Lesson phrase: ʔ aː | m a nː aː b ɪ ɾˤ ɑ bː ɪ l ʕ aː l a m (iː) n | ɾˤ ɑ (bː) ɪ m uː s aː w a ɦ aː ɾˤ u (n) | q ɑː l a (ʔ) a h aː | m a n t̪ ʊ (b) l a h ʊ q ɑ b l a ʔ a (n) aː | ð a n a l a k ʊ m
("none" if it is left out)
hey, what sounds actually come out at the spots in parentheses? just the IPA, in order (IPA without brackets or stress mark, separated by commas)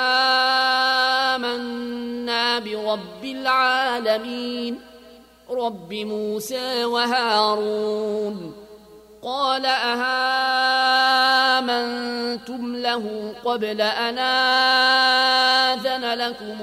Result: iː, bː, n, ʔ, m, n